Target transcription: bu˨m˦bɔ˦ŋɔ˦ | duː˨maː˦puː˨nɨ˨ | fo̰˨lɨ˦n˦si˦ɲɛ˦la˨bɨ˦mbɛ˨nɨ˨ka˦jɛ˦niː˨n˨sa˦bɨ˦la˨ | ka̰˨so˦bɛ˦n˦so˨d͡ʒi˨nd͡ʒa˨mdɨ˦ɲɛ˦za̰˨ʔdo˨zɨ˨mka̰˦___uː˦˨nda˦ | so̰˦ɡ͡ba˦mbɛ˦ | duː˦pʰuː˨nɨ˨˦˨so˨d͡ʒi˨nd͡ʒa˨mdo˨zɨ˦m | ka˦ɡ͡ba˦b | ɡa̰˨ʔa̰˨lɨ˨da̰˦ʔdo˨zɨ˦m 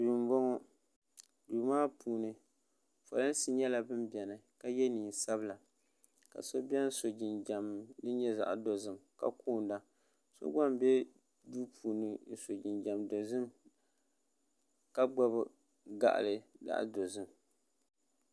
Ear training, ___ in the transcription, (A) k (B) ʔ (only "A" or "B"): A